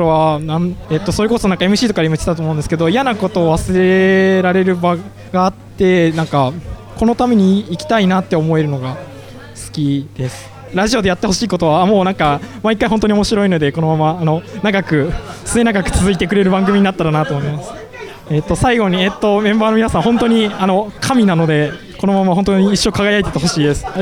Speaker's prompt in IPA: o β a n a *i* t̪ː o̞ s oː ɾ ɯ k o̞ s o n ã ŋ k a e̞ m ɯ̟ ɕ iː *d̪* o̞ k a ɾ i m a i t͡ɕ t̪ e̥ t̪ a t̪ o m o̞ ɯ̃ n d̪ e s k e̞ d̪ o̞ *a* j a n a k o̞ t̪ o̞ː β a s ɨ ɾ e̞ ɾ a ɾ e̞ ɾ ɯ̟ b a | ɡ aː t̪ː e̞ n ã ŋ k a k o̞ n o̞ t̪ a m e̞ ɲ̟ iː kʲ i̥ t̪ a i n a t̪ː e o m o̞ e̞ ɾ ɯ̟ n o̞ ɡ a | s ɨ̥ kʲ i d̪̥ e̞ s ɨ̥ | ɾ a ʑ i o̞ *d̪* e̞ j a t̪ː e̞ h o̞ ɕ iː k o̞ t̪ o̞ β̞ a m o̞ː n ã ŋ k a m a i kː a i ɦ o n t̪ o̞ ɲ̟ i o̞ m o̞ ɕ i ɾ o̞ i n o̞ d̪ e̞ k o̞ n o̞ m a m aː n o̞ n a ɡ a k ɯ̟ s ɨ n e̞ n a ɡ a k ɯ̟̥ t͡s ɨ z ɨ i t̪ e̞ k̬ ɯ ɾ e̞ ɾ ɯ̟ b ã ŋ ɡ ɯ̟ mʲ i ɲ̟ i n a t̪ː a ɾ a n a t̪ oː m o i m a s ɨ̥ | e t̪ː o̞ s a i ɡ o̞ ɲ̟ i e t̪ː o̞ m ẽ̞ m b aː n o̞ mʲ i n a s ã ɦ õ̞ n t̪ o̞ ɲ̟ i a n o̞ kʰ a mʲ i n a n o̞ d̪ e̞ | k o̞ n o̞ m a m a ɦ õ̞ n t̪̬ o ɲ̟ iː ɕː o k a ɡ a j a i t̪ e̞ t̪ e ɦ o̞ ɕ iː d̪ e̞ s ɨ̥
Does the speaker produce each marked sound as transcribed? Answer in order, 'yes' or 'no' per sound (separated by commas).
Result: no, no, no, yes